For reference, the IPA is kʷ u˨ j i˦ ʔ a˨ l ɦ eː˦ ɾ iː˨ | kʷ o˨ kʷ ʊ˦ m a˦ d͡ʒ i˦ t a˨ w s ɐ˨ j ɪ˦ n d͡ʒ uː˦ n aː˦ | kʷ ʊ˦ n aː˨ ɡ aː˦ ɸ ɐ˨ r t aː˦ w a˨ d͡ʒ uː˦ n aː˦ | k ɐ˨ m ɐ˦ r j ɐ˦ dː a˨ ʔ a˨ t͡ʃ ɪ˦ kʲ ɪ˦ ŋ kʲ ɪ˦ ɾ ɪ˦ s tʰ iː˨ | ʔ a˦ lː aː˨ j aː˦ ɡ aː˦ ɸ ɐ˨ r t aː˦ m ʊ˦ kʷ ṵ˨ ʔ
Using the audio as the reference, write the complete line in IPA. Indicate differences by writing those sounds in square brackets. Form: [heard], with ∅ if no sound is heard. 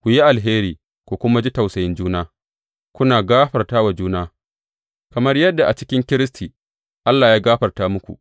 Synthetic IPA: kʷ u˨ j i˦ ʔ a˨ l ɦ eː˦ ɾ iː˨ | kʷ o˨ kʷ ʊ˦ m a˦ d͡ʒ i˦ t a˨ w s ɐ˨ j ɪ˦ n d͡ʒ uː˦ n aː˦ | kʷ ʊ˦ n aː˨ ɡ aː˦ ɸ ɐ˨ r t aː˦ w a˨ d͡ʒ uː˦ n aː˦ | k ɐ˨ m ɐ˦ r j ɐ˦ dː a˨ ʔ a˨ t͡ʃ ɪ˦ kʲ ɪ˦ ŋ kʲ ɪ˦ ɾ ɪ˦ s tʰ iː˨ | ʔ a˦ lː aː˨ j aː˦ ɡ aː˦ ɸ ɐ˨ r t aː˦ m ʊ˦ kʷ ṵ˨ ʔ